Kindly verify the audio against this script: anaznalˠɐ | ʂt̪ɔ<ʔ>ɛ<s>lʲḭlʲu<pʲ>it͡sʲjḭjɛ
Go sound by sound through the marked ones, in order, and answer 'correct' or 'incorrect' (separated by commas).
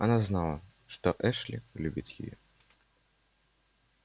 correct, incorrect, incorrect